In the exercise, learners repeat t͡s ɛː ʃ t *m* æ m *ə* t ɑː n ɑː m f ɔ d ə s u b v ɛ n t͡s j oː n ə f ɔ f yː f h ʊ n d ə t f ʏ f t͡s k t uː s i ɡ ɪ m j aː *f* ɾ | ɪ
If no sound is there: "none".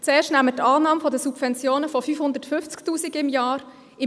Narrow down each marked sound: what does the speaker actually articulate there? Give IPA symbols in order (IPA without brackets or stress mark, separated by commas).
n, ə, none